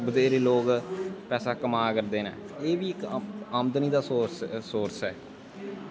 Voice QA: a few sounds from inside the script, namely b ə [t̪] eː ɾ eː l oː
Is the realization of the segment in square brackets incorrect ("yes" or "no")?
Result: yes